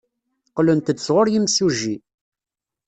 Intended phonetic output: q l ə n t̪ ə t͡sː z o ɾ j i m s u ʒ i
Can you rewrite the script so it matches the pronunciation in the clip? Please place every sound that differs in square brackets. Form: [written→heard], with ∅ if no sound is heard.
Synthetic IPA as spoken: q l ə n t̪ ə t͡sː [z→ʁ] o ɾ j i m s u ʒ i

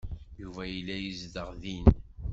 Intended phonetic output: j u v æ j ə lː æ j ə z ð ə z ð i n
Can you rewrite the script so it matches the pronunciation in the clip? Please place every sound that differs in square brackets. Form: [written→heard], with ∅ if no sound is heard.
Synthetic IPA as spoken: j u v æ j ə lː æ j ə z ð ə [z→ʁ] ð i n

